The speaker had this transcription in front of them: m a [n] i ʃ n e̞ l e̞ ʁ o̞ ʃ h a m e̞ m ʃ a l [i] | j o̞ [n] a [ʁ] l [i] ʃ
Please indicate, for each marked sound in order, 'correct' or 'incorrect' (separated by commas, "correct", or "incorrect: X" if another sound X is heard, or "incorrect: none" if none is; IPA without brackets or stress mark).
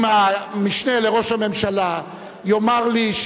incorrect: m, incorrect: a, incorrect: m, correct, correct